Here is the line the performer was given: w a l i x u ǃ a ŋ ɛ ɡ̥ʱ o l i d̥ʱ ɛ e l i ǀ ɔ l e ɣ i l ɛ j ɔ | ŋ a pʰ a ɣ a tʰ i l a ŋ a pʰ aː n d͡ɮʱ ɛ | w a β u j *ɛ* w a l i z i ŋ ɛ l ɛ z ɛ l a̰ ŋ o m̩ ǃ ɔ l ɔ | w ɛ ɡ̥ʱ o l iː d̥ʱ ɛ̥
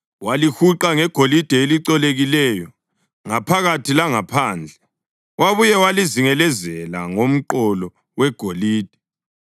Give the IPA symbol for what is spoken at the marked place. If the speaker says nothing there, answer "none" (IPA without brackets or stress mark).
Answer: ɛ